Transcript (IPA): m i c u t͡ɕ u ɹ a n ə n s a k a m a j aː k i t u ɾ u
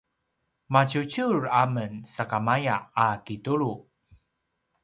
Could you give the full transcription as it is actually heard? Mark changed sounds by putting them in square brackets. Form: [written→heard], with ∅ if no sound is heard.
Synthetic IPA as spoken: m [i→a] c u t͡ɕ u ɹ a [n→m] ə n s a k a m a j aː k i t u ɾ u